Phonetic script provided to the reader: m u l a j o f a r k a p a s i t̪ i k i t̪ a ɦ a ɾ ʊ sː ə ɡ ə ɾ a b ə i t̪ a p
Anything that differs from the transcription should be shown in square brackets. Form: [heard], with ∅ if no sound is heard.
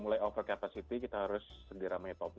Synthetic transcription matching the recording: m u l a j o f [ə] r k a p a s i t̪ i k i t̪ a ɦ a ɾ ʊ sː ə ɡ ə ɾ a [m] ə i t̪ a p

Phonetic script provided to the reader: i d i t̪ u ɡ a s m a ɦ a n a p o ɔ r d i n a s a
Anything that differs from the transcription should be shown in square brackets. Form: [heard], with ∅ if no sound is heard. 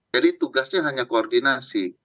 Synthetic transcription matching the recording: [a] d i t̪ u ɡ a s [ɲ] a ɦ a [ɲ] a [k] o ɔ r d i n a s [i]

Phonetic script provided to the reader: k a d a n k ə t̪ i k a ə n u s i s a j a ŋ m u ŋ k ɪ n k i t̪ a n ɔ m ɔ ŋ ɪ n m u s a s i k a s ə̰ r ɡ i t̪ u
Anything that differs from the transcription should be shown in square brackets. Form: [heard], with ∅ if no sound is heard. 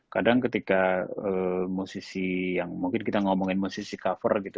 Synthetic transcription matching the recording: k a d a [ŋ] k ə t̪ i k a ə [m] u s i s [i] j a ŋ m u ŋ k ɪ n k i t̪ a [ŋ] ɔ m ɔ ŋ ɪ n m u s [i] s i k a [f] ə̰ r ɡ i t̪ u

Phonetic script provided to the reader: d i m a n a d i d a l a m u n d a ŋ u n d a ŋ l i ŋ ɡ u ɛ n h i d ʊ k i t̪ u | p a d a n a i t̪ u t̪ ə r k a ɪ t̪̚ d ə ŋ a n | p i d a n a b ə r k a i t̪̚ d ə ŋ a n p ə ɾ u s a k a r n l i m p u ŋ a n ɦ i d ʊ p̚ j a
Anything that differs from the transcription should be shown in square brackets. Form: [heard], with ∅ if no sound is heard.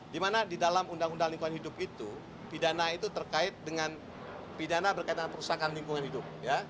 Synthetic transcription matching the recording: d i m a n a d i d a l a m u n d a ŋ u n d a ŋ l i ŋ [k] u [a] n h i d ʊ [p] i t̪ u | p [i] d a n a i t̪ u t̪ ə r k a ɪ t̪̚ d ə ŋ a n | p i d a n a b ə r k a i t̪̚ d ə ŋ a n p ə ɾ u s a k a [∅] n l i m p u ŋ a n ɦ i d ʊ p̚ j a

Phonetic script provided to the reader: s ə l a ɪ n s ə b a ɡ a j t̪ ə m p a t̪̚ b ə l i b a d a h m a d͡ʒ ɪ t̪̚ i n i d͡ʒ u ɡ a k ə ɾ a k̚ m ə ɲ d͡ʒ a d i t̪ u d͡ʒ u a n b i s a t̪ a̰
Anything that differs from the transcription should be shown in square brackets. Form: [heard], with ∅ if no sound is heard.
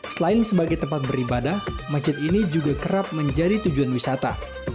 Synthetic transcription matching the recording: s ə l a ɪ n s ə b a ɡ a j t̪ ə m p a t̪̚ b ə [ɾ] i b a d a h m a d͡ʒ ɪ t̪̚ i n i d͡ʒ u ɡ a k ə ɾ a [p̚] m ə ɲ d͡ʒ a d i t̪ u d͡ʒ u a n [w] i s a t̪ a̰

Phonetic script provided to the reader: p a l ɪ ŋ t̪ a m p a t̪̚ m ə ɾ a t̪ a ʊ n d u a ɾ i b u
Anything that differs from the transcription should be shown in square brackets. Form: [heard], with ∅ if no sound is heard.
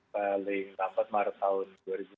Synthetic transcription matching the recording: p a l ɪ ŋ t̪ a m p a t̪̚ m [a] ɾ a t̪ a ʊ n d u a ɾ i b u

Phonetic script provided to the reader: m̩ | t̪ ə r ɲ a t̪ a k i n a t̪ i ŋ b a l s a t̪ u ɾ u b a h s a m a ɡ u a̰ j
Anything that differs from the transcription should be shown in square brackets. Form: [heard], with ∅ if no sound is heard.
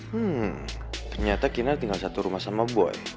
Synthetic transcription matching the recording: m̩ | t̪ ə r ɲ a t̪ a k i n a t̪ i ŋ [ɡ] a l s a t̪ u ɾ u [m] a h s a m a [b] u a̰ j

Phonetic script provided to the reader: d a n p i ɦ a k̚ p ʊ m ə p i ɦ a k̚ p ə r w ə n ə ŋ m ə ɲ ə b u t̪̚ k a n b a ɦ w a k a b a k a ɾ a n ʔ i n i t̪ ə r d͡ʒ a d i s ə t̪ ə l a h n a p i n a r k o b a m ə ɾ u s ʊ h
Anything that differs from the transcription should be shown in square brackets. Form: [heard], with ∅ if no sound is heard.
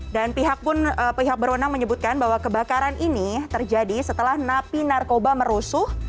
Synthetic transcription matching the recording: d a n p i ɦ a k̚ p ʊ [n] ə p i ɦ a k̚ [b] ə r w ə n [a] ŋ m ə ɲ ə b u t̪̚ k a n b a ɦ w a k [ə] b a k a ɾ a n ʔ i n i t̪ ə r d͡ʒ a d i s ə t̪ ə l a h n a p i n a r k o b a m ə ɾ u s ʊ h

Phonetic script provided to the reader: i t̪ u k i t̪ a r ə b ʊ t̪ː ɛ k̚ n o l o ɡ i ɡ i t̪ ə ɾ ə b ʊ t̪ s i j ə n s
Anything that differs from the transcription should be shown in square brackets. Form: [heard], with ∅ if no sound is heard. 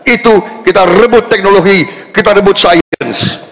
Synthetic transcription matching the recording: i t̪ u k i t̪ a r ə b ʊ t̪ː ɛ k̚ n o l o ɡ i [k] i t̪ [a] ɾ ə b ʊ t̪ s [a] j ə n s

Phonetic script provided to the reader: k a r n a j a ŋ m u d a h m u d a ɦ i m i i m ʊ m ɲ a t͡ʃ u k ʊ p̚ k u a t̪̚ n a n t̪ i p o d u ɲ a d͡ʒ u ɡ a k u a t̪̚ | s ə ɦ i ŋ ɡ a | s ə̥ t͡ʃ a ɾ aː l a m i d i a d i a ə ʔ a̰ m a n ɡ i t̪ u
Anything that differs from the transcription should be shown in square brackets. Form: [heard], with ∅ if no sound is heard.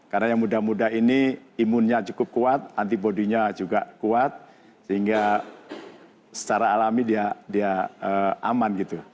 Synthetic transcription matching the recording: k a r n a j a ŋ m u d a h m u d a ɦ i [n] i i m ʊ [n] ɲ a t͡ʃ u k ʊ p̚ k u a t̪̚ n a n t̪ i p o d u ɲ a d͡ʒ u ɡ a k u a t̪̚ | s ə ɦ i ŋ ɡ a | s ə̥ t͡ʃ a ɾ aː l a m i d i a d i a ə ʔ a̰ m a n ɡ i t̪ u

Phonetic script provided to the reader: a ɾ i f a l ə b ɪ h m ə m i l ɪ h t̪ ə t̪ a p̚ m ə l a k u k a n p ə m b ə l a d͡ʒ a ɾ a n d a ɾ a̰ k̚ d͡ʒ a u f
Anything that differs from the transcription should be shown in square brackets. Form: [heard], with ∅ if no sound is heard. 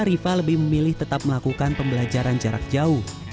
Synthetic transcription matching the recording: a ɾ i f a l ə b ɪ h m ə m i l ɪ h t̪ ə t̪ a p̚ m ə l a k u k a n p ə m b ə l a d͡ʒ a ɾ a n [d͡ʒ] a ɾ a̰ k̚ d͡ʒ a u [h]

